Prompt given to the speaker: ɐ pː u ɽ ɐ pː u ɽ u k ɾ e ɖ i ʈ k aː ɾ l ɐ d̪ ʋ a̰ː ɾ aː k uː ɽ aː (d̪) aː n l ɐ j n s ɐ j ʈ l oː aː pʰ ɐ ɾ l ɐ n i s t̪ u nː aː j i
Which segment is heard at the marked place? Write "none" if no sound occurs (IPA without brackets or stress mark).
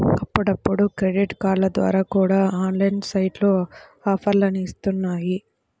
none